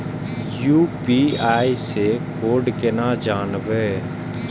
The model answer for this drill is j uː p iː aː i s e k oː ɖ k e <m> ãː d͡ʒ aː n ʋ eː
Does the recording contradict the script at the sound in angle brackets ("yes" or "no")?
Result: yes